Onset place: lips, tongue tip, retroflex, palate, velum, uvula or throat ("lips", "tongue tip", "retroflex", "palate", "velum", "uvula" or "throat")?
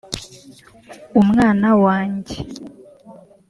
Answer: lips